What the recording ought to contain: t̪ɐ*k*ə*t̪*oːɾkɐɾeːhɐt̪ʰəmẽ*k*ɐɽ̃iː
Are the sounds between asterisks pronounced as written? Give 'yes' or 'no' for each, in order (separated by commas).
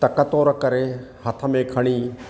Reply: yes, yes, no